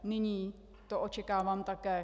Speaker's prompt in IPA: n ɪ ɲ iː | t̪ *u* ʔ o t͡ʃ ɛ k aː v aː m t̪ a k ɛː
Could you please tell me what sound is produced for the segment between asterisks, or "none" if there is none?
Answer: o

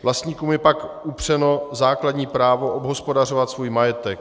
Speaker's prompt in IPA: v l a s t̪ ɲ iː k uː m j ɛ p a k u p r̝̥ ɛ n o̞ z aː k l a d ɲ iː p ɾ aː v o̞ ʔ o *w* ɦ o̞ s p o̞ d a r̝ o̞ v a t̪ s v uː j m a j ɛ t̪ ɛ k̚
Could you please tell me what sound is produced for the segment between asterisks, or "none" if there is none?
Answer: b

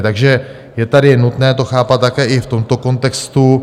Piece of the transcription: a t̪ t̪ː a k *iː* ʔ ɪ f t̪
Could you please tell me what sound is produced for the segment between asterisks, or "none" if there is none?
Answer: ɛː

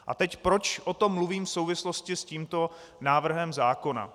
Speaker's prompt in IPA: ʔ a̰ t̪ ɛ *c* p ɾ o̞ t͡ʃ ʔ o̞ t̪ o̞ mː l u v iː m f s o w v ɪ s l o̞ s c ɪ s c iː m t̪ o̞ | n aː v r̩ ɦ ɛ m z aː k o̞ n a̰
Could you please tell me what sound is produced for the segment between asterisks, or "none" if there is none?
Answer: c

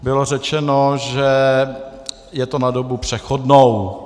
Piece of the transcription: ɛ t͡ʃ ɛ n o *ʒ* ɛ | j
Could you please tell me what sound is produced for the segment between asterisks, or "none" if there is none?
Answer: ʒ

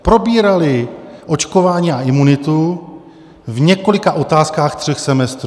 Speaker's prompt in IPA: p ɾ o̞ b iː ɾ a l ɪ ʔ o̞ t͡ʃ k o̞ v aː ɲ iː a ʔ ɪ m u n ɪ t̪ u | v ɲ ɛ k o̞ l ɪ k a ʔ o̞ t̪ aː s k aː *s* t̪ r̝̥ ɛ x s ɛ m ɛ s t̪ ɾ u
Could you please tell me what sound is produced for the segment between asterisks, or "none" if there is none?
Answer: x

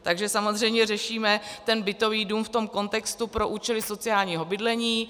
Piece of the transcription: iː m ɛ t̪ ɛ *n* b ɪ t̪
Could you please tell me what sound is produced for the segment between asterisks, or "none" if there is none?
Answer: n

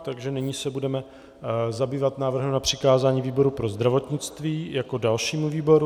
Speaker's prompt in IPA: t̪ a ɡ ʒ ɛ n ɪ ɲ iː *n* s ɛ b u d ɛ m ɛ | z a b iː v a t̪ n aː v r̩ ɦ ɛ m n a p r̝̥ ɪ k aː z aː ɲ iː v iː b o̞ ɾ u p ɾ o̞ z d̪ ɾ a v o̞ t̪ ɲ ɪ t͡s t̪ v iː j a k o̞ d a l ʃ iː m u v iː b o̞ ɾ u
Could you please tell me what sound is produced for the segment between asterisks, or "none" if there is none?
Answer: none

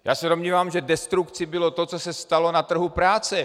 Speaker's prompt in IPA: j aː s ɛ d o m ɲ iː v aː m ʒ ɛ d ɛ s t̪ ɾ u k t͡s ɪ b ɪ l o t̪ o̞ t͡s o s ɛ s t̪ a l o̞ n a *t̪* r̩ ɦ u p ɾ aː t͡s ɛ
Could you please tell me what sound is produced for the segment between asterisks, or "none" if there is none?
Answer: t̪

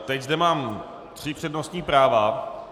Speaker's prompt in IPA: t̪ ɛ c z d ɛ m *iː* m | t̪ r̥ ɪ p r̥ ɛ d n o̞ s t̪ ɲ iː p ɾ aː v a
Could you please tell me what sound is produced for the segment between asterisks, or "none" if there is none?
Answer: aː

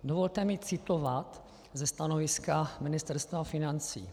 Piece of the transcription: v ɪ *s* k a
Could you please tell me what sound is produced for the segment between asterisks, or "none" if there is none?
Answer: s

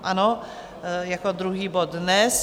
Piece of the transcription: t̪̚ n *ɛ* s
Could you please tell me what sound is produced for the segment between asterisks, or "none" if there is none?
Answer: ɛ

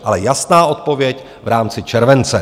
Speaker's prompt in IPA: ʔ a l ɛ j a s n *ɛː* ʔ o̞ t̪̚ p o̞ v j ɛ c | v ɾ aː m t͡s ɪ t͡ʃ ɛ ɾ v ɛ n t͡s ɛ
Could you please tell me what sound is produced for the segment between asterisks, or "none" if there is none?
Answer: aː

